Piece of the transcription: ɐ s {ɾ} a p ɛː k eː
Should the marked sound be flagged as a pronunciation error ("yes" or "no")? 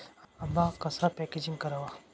no